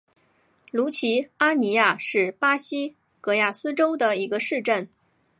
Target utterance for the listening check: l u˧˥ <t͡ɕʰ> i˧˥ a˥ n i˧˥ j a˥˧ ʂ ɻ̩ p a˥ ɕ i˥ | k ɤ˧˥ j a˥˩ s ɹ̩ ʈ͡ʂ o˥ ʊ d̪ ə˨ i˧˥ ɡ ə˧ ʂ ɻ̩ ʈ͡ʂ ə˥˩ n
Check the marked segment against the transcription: correct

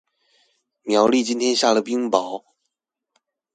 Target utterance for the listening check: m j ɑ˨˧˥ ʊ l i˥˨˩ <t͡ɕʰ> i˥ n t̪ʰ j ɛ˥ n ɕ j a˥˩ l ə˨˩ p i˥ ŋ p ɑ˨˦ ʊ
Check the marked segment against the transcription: incorrect: t͡ɕ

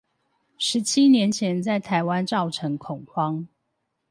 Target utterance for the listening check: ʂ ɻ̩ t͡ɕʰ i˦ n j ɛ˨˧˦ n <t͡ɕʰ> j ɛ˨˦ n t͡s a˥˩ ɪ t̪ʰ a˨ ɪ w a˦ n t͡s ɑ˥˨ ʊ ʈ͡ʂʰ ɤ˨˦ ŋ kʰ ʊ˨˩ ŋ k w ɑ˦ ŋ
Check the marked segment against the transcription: correct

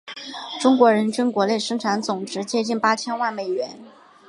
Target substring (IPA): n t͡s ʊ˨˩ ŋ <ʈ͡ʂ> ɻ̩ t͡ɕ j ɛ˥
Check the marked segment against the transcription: correct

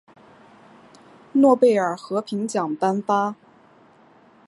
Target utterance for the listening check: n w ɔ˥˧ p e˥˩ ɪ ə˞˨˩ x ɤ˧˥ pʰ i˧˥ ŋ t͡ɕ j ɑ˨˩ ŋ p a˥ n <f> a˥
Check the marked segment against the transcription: correct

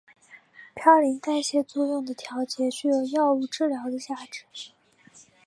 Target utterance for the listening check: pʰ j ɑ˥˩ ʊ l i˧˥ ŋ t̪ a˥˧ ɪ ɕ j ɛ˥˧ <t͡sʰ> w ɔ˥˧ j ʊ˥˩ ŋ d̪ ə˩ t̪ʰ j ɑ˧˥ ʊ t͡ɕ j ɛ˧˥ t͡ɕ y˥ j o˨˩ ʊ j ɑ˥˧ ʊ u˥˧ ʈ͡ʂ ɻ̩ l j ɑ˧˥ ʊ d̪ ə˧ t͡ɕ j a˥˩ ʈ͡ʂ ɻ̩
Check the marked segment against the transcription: incorrect: t͡s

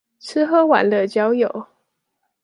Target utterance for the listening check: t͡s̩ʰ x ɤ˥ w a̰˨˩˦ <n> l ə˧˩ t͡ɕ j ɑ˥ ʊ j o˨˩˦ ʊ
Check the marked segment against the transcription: correct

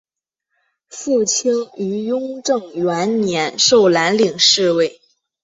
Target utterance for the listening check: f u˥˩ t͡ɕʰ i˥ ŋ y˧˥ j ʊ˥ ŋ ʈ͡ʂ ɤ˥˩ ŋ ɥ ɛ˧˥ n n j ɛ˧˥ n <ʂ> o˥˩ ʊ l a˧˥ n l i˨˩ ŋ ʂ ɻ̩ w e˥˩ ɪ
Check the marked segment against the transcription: correct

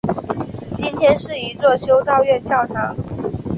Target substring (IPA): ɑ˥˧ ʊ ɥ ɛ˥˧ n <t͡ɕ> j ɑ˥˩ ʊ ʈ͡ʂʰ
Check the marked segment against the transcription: correct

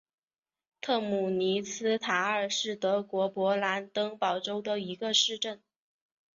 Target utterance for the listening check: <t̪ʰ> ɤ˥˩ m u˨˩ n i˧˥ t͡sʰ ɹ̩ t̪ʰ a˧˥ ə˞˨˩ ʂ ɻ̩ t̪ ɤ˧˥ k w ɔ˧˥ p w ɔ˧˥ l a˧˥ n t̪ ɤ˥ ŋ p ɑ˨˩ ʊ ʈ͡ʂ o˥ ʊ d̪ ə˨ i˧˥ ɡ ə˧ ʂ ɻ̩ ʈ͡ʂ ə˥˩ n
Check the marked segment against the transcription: correct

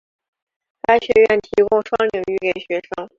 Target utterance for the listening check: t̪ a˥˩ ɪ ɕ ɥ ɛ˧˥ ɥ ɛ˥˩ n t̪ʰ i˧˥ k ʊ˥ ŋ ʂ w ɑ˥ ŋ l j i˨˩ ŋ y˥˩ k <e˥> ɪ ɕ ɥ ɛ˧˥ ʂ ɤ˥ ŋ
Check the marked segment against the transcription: incorrect: e˨˩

